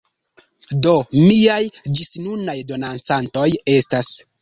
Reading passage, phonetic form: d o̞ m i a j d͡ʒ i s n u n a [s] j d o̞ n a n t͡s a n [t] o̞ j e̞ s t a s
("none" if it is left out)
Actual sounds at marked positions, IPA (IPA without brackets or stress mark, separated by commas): none, t